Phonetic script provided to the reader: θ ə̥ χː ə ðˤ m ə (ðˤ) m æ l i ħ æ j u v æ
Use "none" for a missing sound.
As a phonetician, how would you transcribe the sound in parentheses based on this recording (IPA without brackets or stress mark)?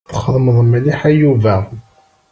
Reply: ðˤ